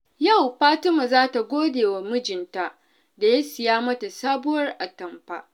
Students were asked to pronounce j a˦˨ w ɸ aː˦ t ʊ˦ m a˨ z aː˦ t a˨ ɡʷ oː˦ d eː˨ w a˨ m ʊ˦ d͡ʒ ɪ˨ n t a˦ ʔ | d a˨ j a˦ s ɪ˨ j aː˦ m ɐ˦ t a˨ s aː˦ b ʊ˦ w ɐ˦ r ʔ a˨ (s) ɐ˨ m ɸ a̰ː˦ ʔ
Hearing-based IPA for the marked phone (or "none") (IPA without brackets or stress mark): t